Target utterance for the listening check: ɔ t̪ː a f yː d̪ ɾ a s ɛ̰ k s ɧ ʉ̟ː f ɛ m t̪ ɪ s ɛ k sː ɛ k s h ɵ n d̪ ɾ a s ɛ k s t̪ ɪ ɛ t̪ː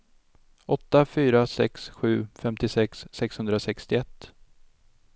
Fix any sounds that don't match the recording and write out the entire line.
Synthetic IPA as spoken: ɔ t̪ː a f yː ɾ a s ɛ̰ k s ɧ ʉ̟ː f ɛ m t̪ ɪ s ɛ k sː ɛ k s h ɵ n d̪ ɾ a s ɛ k s t̪ ɪ ɛ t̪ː